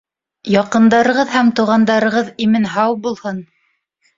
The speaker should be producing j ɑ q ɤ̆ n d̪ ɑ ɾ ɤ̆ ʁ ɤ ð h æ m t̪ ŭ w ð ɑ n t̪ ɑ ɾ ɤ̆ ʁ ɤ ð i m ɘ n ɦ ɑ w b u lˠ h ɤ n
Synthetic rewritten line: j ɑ q ɤ̆ n d̪ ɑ ɾ ɤ̆ ʁ ɤ ð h æ m t̪ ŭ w ʁ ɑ n d̪ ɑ ɾ ɤ̆ ʁ ɤ ð i m ɘ n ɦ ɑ w b u lˠ h ɤ n